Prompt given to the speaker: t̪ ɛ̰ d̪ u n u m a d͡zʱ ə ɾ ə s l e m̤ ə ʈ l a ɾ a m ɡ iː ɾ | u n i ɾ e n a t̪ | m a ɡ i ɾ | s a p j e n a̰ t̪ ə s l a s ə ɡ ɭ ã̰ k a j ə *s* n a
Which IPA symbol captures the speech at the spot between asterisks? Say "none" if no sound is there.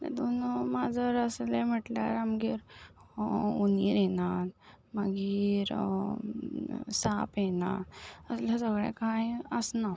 s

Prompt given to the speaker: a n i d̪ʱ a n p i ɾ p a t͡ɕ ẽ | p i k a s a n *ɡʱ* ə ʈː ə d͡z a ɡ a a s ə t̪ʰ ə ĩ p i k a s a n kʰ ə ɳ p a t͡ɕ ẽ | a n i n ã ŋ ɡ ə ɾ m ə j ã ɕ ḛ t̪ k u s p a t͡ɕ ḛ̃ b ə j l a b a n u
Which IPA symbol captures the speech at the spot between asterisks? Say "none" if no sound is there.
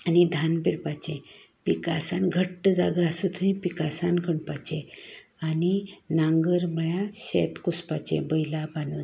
ɡʱ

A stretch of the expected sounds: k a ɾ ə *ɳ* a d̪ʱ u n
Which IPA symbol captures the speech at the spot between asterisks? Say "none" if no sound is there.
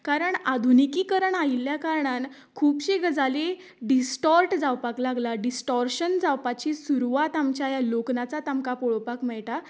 ɳ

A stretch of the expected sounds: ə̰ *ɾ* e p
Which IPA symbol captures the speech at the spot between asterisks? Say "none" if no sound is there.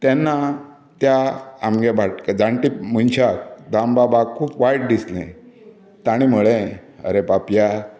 ɾ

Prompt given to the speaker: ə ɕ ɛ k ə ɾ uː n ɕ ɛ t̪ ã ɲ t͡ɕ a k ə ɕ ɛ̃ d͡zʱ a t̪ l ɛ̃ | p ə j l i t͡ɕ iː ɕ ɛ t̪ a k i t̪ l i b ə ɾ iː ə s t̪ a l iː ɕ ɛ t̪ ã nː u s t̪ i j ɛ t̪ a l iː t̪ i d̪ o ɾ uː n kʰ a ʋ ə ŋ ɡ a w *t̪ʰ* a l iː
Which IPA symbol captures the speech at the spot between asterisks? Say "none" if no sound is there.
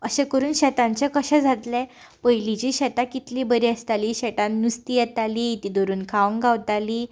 t̪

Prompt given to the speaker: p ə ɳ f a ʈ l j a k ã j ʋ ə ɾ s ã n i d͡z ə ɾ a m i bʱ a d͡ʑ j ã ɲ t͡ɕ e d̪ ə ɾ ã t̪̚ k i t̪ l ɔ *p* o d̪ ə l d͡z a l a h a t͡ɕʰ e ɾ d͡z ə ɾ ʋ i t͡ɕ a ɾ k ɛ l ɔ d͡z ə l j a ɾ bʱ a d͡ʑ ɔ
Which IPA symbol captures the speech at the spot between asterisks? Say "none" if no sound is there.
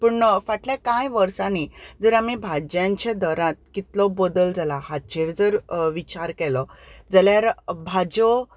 b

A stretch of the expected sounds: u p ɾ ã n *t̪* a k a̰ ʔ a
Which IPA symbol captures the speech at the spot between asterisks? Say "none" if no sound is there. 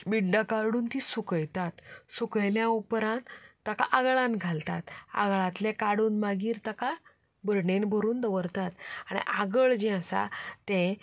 t̪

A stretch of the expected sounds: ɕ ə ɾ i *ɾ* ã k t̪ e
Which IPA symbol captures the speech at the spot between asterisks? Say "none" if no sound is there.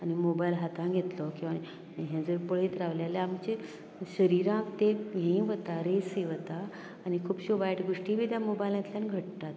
ɾ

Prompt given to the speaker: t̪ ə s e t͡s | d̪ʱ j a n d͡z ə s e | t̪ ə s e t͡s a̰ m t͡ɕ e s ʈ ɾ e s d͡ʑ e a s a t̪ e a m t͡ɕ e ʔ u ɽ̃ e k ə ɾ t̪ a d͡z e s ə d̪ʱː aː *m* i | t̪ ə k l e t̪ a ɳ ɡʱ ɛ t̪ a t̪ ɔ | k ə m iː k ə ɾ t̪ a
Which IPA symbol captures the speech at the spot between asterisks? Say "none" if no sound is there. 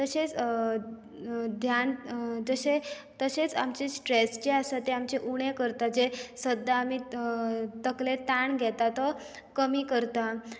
m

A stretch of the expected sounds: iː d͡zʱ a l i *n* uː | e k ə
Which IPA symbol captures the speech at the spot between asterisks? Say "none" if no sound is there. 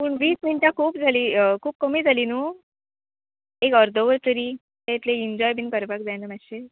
n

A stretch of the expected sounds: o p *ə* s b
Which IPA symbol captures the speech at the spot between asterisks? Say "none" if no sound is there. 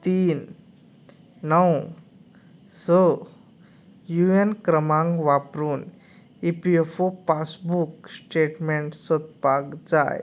a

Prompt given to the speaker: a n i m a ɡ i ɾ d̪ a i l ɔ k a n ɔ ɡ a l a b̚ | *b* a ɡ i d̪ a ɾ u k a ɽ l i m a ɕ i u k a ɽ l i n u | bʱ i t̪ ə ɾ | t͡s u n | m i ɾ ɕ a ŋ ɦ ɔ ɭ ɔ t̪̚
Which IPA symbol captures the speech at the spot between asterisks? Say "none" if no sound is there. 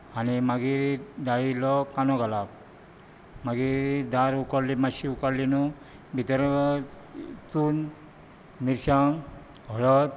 m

